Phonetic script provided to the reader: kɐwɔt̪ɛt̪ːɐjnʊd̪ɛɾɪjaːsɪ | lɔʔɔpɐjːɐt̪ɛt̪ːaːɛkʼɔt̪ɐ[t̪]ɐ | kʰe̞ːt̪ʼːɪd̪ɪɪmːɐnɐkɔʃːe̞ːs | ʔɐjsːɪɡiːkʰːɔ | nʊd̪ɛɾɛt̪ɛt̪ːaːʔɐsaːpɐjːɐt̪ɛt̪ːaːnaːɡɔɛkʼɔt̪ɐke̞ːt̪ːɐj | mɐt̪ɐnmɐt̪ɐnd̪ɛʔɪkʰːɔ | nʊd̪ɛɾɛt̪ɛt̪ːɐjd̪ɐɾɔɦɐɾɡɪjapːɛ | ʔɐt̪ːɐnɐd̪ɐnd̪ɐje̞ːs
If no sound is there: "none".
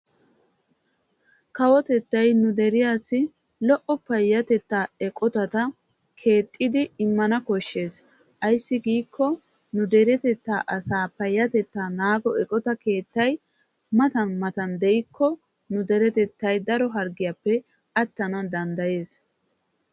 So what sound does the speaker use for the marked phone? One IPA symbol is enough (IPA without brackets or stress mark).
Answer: t̪